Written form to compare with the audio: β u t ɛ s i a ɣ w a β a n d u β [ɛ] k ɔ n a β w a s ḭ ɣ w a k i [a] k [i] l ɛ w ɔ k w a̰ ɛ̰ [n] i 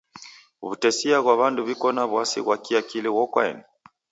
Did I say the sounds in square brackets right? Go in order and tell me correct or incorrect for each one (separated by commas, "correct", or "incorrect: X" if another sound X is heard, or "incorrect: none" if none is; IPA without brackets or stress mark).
incorrect: i, correct, correct, correct